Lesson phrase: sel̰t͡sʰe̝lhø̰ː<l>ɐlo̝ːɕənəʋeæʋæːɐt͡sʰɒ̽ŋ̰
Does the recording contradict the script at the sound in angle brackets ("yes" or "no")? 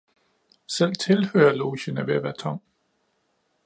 yes